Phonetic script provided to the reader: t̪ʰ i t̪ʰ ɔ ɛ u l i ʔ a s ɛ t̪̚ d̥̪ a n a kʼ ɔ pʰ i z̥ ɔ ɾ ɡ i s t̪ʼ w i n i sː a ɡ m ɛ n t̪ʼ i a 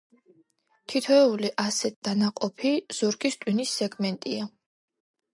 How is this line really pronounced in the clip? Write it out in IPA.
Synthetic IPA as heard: t̪ʰ i t̪ʰ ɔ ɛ u l i ʔ a s ɛ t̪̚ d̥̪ a n a qʼ ɔ pʰ i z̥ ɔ ɾ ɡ i s t̪ʼ w i n i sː ɛ ɡ m ɛ n t̪ʼ i a